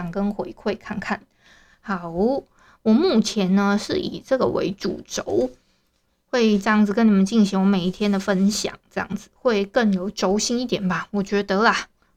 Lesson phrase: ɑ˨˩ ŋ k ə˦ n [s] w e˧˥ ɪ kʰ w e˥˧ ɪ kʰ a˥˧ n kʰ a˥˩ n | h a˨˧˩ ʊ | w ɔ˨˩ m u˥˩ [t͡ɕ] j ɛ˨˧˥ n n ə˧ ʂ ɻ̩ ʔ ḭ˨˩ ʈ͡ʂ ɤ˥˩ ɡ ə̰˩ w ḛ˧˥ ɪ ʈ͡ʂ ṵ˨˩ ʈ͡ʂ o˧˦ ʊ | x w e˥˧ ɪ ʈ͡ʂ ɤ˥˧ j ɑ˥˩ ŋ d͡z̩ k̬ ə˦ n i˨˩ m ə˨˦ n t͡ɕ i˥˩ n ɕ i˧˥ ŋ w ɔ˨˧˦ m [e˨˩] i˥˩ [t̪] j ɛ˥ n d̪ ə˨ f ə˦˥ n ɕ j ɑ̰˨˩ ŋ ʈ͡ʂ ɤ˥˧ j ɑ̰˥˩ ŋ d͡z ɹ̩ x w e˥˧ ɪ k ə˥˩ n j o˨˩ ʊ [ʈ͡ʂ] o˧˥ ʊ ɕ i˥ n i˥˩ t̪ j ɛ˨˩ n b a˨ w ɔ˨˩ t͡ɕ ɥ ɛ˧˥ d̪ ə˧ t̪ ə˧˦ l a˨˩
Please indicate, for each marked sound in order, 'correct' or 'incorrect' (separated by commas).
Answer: incorrect, incorrect, correct, incorrect, correct